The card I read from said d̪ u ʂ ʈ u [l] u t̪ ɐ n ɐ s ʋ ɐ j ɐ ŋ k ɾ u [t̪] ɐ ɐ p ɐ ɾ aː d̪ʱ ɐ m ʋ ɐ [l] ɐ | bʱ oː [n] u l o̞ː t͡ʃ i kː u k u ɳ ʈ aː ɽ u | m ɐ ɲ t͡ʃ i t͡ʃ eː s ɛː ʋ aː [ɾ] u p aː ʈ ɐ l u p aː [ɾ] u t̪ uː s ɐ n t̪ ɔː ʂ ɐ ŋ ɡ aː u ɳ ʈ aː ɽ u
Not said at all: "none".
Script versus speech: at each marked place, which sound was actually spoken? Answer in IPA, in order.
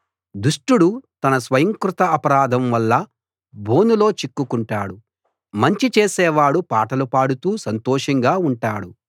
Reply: ɽ, t̪, lː, n, ɽ, ɽ

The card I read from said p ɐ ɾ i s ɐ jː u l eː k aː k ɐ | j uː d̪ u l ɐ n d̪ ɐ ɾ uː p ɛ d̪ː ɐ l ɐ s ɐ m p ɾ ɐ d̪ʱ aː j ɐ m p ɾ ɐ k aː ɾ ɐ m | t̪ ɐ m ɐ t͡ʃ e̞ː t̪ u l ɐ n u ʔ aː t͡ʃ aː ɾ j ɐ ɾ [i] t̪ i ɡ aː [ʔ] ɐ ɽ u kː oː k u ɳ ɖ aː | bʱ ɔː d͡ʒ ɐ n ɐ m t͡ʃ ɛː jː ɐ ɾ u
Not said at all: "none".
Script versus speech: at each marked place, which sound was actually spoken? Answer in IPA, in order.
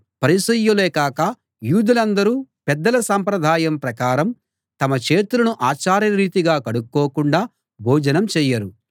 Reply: iː, k

